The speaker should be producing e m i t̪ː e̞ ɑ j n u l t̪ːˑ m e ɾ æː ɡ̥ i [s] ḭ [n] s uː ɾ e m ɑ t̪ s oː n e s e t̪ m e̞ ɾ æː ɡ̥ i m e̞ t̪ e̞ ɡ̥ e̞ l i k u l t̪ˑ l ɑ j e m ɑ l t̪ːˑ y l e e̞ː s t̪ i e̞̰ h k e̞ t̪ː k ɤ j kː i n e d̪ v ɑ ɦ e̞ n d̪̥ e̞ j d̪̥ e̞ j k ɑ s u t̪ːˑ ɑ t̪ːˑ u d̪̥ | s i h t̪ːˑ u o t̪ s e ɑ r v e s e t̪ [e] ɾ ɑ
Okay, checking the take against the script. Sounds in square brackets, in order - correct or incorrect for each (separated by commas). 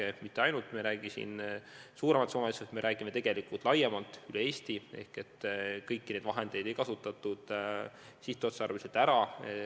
correct, correct, incorrect